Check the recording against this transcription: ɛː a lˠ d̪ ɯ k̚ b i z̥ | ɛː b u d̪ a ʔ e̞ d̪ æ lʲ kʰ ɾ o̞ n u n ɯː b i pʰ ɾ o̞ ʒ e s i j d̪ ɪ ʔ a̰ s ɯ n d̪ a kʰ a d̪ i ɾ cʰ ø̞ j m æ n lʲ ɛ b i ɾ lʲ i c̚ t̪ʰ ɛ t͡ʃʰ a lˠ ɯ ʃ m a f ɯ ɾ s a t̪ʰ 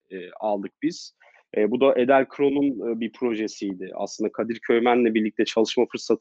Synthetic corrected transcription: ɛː a lˠ d̪ ɯ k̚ b i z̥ | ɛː b u d̪ a ʔ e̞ d̪ æ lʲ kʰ ɾ o̞ n u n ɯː b i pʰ ɾ o̞ ʒ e s i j d̪ ɪ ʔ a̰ s ɯ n d̪ a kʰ a d̪ i ɾ cʰ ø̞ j m æ n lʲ ɛ b i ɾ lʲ i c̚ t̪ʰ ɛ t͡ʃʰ a lˠ ɯ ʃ m a f ɯ ɾ s a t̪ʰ